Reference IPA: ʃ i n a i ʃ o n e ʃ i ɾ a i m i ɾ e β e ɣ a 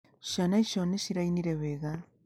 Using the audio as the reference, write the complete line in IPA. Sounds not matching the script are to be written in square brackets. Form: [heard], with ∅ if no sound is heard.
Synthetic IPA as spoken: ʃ [a] n a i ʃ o n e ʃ i ɾ a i [n] i ɾ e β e ɣ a